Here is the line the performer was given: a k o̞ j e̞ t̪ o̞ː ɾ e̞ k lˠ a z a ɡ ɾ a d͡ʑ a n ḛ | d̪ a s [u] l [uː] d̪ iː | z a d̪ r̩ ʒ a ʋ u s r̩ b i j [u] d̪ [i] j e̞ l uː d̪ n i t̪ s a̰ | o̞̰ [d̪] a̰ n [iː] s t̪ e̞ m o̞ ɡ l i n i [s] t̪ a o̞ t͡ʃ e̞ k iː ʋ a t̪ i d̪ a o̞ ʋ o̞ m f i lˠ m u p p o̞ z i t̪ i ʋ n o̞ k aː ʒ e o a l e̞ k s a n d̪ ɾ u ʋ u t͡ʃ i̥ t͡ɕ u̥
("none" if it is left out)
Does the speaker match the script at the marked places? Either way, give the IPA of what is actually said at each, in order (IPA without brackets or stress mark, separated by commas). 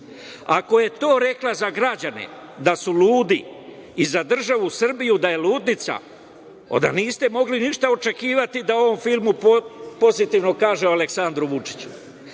u, uː, u, a, d̪, iː, ʃ